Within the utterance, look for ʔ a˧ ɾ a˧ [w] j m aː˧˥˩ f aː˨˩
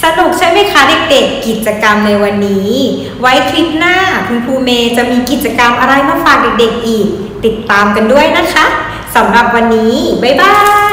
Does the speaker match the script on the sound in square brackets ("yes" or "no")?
no